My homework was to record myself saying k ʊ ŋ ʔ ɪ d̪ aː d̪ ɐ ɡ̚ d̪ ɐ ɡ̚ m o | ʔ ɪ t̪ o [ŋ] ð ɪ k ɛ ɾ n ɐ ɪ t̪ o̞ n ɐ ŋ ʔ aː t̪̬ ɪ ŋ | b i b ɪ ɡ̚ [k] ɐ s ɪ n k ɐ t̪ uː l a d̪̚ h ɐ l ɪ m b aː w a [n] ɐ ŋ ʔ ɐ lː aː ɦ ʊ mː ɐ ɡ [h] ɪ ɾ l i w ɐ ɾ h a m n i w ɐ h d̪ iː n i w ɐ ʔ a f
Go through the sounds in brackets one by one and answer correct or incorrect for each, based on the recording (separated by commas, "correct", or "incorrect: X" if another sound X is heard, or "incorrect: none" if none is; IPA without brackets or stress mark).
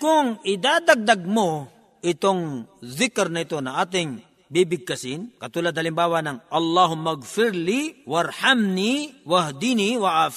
correct, correct, correct, incorrect: f